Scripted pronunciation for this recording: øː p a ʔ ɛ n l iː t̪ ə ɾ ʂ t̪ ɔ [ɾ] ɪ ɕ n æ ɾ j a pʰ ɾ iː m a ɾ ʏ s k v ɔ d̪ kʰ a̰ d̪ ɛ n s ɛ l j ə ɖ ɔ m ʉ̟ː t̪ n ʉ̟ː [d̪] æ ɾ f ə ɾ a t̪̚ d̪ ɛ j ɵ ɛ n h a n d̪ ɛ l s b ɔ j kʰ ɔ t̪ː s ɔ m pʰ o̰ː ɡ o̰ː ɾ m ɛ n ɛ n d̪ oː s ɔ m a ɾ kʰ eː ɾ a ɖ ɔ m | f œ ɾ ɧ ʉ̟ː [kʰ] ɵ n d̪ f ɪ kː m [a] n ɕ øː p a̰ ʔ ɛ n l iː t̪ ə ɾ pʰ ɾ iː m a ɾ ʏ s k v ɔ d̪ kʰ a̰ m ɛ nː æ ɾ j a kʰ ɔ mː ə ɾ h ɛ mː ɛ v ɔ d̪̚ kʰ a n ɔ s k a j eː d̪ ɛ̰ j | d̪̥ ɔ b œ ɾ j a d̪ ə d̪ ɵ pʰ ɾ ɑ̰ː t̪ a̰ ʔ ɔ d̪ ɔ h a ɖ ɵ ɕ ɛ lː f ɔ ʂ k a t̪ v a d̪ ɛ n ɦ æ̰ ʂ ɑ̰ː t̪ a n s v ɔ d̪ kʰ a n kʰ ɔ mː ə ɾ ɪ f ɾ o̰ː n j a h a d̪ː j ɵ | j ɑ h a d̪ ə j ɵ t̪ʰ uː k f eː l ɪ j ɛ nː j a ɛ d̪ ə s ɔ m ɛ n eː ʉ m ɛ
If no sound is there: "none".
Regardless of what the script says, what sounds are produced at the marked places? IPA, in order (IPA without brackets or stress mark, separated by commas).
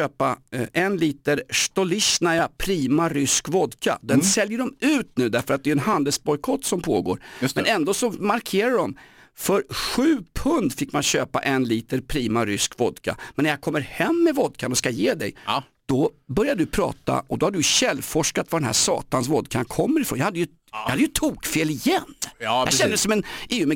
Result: l, d̪, pʰ, a